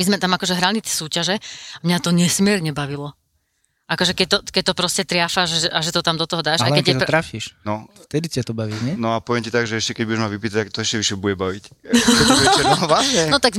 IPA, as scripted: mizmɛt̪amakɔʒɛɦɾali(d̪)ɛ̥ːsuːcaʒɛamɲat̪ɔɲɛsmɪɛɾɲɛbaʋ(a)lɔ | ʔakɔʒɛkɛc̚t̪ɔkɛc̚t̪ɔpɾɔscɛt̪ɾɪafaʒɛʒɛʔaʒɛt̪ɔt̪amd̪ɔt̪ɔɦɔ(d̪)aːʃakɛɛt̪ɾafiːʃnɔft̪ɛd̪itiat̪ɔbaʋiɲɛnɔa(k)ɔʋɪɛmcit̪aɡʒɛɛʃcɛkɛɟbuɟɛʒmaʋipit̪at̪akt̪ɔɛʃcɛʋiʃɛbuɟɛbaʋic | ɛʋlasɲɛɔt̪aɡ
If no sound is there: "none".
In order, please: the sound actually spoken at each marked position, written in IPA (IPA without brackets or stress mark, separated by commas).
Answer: t̪, i, d̪, p